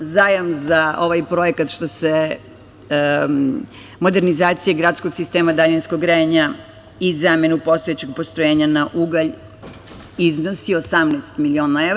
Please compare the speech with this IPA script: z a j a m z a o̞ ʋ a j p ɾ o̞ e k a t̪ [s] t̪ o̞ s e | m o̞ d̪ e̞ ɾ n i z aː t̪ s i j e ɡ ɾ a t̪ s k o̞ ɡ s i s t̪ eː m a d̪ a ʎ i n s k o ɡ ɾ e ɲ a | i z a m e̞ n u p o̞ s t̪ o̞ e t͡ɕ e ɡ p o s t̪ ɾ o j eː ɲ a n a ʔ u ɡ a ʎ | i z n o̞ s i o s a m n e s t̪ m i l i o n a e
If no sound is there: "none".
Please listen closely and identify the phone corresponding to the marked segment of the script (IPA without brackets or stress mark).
ʃ